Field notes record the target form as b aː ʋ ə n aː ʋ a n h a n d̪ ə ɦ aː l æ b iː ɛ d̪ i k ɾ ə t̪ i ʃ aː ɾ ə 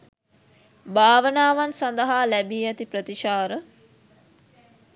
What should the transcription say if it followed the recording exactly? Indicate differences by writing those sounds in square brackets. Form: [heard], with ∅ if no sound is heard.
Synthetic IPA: b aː ʋ ə n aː ʋ a n [s] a n d̪ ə ɦ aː l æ b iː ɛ [t̪] i [p] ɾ ə t̪ i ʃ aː ɾ ə